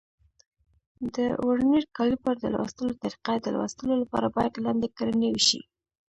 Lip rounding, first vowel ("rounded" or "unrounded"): unrounded